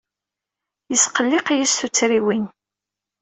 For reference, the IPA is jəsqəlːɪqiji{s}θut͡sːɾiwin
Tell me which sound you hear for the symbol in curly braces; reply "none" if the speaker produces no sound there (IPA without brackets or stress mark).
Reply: s